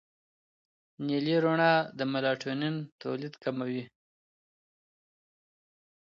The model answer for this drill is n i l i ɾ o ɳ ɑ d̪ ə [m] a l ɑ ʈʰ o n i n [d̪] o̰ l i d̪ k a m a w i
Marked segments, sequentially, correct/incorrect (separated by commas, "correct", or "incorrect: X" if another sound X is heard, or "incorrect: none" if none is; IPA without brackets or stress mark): correct, incorrect: t̪